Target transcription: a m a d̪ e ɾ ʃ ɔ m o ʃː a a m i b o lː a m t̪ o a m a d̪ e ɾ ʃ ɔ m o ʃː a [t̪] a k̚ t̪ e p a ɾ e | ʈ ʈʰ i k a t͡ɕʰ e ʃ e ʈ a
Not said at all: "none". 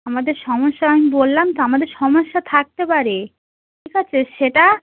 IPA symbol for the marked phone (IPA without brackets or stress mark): t̪ʰ